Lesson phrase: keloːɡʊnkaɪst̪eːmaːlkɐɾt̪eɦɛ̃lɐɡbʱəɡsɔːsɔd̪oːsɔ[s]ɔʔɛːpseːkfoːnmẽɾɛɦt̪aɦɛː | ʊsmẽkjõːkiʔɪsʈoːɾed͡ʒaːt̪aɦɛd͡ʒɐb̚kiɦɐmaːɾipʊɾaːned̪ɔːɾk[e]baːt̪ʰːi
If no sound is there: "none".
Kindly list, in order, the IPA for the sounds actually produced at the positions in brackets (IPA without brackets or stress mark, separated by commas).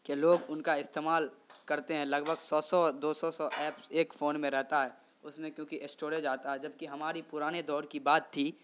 s, i